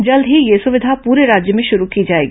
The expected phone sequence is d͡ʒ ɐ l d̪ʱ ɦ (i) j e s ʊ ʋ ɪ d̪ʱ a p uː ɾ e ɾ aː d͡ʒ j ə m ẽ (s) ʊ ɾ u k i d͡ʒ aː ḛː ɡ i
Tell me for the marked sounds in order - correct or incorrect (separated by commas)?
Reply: correct, incorrect